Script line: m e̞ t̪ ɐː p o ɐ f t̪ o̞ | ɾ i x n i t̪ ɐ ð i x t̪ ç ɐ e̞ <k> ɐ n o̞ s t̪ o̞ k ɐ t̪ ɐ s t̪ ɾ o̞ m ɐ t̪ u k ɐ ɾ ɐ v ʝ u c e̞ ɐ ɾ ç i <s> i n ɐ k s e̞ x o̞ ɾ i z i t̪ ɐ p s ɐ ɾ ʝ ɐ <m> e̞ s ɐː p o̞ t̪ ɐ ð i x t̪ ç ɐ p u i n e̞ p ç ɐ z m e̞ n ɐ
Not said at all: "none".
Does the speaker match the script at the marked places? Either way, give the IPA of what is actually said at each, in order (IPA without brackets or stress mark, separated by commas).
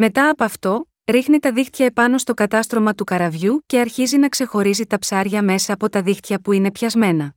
p, z, m